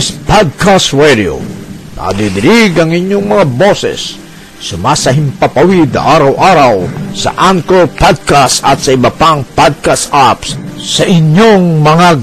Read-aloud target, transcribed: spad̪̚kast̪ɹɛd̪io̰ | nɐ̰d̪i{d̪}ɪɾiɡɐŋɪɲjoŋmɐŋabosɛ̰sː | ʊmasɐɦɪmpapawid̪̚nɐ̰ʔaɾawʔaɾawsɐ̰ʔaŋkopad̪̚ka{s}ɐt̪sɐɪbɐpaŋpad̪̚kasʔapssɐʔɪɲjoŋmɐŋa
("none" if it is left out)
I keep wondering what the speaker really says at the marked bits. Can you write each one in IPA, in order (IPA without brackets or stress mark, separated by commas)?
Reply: d̪, s